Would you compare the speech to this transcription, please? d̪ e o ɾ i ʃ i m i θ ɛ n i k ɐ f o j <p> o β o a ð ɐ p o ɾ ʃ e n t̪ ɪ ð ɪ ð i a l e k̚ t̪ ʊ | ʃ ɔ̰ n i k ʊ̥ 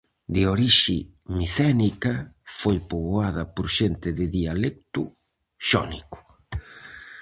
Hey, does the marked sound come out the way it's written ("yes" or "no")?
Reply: yes